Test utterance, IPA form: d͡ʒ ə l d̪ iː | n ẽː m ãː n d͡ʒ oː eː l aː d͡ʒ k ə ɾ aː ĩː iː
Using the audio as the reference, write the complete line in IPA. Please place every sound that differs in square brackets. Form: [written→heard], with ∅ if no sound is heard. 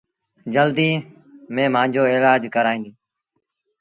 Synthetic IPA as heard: d͡ʒ ə l d̪ iː | [n→m] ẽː m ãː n d͡ʒ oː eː l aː d͡ʒ k ə ɾ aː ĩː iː